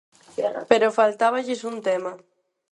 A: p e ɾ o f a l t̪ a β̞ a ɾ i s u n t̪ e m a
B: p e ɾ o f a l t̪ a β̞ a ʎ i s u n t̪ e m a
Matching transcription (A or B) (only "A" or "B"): B